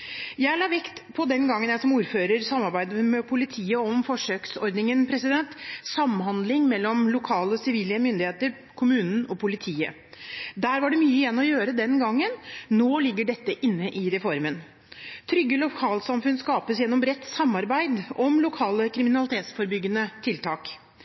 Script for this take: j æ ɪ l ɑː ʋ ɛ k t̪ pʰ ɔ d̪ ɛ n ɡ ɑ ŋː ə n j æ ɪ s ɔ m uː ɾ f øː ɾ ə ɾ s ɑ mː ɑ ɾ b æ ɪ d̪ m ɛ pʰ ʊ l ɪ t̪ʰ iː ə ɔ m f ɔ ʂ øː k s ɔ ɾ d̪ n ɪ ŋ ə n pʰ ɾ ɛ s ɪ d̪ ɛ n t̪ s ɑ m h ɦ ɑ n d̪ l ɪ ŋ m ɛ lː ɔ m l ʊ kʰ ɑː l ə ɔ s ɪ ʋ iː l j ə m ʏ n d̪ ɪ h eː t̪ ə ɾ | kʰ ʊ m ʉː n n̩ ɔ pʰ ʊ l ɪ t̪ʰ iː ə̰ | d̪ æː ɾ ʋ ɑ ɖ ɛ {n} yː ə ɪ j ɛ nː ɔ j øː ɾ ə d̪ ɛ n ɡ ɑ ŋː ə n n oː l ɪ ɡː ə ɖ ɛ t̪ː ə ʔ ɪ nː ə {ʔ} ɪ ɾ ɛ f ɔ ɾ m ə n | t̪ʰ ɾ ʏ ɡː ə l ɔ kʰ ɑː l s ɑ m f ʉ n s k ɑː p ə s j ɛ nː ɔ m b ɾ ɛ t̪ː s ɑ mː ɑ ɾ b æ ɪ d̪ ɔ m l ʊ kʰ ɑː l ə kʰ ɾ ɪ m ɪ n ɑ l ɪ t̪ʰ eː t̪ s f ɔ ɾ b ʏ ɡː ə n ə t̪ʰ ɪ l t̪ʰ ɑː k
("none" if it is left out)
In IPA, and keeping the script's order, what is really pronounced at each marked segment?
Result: m, ʔ

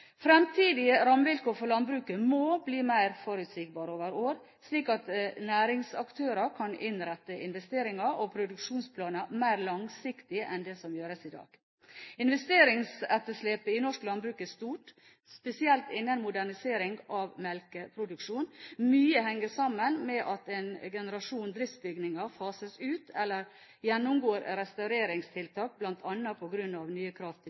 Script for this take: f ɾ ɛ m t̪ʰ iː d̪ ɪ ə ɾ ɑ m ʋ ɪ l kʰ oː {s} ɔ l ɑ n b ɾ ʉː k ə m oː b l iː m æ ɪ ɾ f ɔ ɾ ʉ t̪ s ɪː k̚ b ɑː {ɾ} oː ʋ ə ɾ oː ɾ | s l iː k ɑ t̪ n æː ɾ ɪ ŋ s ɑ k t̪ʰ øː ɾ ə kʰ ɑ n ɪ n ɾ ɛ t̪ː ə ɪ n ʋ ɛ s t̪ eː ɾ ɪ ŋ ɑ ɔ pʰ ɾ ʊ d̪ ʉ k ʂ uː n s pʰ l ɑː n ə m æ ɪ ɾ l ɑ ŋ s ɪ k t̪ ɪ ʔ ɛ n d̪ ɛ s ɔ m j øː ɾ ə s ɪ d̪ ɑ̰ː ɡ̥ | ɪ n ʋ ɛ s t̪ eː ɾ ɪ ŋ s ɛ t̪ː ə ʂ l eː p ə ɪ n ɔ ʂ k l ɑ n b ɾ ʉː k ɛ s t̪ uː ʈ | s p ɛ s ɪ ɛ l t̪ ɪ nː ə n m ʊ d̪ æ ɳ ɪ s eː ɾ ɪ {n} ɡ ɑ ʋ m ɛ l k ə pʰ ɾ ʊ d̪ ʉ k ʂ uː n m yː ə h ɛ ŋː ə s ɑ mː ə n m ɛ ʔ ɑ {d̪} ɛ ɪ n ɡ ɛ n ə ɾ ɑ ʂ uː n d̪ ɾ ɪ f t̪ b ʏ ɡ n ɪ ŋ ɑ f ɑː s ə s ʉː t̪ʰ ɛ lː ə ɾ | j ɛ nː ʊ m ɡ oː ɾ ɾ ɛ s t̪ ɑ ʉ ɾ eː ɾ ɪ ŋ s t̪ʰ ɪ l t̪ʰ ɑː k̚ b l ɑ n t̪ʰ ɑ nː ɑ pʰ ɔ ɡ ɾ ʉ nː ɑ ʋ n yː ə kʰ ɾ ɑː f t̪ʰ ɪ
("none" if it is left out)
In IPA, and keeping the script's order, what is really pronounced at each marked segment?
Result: f, ɾ, ŋ, t̪

